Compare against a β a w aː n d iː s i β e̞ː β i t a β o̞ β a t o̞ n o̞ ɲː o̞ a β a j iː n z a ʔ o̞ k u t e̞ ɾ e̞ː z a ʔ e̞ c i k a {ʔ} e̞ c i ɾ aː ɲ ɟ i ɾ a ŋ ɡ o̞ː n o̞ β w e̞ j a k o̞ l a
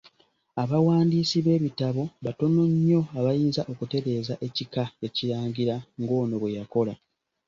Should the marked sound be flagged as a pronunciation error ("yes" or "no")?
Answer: yes